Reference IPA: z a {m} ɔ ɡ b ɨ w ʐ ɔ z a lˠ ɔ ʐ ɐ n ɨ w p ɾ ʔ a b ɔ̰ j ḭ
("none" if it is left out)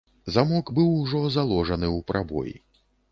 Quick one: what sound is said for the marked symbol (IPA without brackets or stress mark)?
m